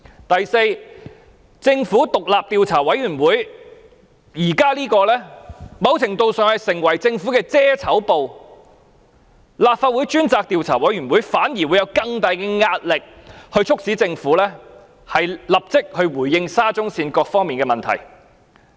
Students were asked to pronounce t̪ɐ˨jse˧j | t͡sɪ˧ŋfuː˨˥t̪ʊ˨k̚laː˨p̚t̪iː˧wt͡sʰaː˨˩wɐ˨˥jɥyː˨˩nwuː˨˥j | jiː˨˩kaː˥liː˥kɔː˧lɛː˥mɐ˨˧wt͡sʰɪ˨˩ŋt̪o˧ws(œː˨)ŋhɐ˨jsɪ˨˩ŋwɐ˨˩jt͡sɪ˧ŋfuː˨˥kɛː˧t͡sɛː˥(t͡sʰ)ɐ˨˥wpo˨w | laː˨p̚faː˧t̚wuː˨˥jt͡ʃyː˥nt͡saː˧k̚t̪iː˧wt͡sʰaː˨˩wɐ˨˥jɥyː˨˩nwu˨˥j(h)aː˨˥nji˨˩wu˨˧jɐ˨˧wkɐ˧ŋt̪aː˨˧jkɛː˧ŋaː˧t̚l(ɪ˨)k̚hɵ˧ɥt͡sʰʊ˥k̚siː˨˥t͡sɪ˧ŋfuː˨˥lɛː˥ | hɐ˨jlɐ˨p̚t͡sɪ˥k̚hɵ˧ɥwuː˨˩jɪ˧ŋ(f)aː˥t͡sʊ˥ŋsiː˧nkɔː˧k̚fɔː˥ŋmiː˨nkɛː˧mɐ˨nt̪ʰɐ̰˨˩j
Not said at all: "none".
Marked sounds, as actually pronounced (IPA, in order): œː˨, t͡sʰ, f, ɪ˨, s

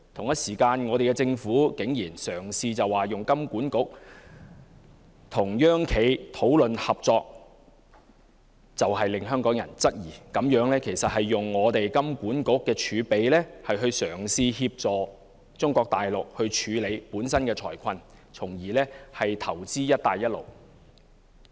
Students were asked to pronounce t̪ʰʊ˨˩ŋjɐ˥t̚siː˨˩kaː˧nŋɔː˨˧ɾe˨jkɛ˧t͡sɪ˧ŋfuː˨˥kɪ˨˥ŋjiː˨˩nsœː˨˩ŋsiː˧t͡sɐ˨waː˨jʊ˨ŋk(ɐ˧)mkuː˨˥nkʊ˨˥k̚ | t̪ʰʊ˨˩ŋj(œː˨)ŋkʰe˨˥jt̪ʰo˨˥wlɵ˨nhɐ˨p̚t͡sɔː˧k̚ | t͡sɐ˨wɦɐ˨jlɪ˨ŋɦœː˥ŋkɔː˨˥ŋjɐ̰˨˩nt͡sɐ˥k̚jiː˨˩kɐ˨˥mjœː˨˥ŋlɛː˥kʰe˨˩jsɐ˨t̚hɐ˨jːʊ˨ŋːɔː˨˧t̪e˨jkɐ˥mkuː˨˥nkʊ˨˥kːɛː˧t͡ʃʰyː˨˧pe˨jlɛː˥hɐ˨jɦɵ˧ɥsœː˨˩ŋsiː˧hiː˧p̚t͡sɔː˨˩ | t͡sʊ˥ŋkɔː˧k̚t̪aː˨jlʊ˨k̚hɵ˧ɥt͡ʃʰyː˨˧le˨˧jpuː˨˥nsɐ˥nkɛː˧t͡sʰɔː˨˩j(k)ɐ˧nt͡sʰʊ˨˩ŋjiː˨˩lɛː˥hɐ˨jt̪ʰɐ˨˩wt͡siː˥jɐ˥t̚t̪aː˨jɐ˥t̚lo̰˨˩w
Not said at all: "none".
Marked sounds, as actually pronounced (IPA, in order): ɐ˥, œː˥, kʰ

